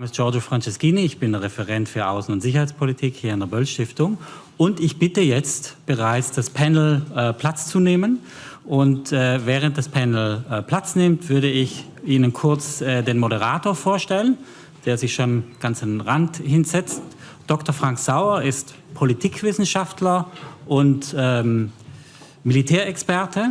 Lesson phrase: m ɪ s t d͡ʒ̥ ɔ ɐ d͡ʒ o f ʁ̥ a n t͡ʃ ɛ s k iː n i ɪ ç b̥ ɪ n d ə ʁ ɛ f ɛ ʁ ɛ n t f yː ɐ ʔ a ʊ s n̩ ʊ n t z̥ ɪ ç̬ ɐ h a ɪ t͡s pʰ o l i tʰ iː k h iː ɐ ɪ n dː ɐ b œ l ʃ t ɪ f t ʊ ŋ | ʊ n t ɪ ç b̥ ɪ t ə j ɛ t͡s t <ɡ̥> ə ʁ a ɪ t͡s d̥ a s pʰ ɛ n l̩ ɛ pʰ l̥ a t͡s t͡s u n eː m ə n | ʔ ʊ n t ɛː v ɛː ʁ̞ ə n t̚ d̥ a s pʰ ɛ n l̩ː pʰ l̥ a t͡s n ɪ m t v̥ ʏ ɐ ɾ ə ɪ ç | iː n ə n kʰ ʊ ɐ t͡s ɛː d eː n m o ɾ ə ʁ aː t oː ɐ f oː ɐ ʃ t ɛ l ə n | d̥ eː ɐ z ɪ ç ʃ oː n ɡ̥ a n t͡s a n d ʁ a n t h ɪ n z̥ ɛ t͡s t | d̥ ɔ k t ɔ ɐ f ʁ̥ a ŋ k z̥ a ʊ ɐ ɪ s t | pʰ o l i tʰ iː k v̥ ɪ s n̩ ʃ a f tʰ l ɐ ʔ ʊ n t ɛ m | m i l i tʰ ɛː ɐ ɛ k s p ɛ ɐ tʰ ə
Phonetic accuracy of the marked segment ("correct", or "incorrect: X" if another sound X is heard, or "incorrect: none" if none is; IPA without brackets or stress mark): incorrect: b̥